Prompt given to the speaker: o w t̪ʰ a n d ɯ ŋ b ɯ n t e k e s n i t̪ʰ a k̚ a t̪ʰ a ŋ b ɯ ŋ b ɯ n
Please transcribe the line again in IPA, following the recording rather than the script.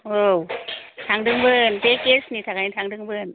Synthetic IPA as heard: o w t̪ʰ a ŋ d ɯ ŋ b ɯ n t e k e s n i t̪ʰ a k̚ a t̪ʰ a ŋ d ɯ ŋ b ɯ n

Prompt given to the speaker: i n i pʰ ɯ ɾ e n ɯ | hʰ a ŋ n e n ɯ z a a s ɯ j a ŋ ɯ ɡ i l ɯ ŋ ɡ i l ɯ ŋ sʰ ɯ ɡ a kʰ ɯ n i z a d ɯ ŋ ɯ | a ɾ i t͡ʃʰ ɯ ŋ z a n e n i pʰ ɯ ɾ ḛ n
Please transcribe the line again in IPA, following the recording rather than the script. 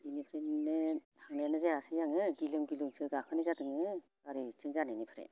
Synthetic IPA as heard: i n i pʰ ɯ ɾ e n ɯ | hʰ a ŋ n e n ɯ z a a s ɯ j a ŋ ɯ ɡ i l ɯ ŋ ɡ i l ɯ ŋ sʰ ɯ ɡ a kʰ ɯ n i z a d ɯ ŋ ɯ | a ɾ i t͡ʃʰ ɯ ŋ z a n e n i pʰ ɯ ɾ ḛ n

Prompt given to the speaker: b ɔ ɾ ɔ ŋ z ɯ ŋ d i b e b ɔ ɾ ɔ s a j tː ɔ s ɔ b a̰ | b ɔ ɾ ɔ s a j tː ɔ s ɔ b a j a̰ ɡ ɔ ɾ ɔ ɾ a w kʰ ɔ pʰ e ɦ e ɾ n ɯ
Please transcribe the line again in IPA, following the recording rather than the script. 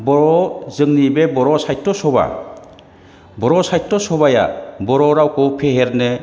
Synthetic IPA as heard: b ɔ ɾ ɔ z ɯ ŋ n i b e b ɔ ɾ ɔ s a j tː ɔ s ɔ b a̰ | b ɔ ɾ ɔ s a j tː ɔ s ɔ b a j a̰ b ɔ ɾ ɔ ɾ a w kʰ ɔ pʰ e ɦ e ɾ n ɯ

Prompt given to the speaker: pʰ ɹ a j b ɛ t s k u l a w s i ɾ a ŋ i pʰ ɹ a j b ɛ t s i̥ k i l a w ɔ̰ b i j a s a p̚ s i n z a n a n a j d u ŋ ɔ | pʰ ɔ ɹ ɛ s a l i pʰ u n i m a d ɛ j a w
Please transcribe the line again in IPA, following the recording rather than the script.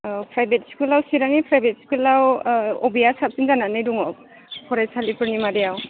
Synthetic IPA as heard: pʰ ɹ a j b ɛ t s k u l a w s i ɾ a ŋ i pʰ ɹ a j b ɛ t s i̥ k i l a w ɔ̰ b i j a s a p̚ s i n z a n a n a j d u ŋ ɔ | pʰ ɔ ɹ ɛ s a l i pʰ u n i m a d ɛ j a w

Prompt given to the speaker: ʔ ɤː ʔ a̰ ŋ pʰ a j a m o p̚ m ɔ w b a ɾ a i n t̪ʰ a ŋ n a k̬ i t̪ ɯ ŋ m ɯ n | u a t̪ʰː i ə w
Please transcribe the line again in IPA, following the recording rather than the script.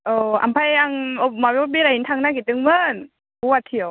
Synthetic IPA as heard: ʔ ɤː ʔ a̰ m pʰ a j a ŋ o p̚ m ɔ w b i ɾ a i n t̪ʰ a ŋ n a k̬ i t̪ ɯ ŋ m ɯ n | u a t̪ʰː i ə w

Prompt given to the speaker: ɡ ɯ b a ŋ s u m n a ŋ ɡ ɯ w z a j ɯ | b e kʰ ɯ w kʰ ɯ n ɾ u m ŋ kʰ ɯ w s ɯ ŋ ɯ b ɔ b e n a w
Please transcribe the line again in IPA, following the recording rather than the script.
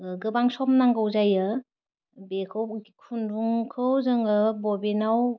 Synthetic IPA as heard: ɡ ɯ b a ŋ s ɔ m n a ŋ ɡ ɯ w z a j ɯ | b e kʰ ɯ w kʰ u n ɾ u ŋ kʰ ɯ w z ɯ ŋ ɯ b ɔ b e n a w

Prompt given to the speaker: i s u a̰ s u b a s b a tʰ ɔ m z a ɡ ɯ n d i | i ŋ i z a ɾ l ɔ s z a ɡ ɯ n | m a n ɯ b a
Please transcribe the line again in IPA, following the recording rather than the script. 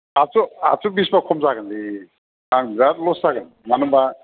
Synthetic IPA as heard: a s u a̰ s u b i s b a kʰ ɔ m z a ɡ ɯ n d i | a ŋ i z a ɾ l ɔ s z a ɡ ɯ n | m a n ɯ b a

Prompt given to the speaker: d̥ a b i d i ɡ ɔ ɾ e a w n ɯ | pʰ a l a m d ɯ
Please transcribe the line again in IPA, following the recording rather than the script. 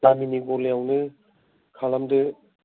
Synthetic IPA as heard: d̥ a m i n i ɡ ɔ l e a w n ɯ | kʰ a l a m d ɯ

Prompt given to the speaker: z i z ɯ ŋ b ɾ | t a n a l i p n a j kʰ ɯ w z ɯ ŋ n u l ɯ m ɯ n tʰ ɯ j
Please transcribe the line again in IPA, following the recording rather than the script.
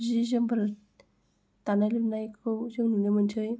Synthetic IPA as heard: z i z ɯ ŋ b ɾ | t a n a l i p n a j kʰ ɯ w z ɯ ŋ n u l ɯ m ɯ n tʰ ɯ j

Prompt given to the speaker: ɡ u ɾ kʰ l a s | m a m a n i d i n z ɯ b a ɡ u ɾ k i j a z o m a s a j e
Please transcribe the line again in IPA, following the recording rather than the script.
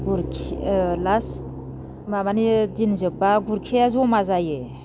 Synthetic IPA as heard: ɡ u ɾ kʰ l a s | m a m a n i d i n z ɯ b a ɡ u ɾ kʰ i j a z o m a z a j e

